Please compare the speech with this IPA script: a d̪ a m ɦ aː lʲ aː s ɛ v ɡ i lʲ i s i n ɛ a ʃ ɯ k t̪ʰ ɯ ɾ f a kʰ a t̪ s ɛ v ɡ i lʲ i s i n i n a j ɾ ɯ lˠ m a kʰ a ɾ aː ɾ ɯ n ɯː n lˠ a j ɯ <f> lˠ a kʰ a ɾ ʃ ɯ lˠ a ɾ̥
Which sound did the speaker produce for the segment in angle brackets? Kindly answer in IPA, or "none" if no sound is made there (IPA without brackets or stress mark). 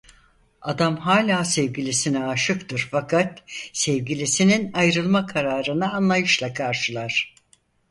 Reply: ʃ